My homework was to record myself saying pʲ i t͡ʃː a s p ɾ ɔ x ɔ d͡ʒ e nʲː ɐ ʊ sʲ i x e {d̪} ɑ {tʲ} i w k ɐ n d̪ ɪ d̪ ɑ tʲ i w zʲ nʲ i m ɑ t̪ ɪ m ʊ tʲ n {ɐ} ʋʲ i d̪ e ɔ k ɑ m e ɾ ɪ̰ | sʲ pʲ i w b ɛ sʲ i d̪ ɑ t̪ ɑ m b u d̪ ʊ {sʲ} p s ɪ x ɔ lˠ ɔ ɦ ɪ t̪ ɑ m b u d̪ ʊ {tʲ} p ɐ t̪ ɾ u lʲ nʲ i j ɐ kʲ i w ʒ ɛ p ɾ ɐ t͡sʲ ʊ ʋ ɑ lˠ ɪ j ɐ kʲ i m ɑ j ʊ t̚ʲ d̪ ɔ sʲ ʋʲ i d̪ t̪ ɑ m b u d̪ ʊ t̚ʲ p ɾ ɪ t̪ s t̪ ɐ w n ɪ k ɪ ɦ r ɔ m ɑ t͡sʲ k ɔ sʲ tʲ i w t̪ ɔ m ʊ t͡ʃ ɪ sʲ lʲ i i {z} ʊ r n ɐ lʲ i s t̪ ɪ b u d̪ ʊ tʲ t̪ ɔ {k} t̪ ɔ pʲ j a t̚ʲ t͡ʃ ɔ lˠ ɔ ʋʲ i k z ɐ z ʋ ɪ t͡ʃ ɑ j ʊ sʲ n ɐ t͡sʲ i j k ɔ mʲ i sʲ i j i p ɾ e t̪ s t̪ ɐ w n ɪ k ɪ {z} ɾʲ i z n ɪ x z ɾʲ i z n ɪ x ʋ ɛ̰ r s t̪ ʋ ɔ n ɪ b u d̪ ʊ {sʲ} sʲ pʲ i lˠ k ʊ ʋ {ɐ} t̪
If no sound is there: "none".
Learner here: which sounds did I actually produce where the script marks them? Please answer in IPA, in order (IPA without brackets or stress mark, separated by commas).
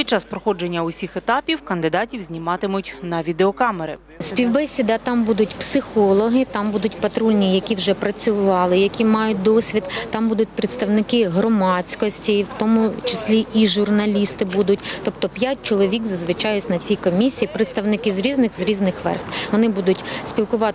t̪, pʲ, ɐ, tʲ, tʲ, ʒ, p, z, tʲ, ɑ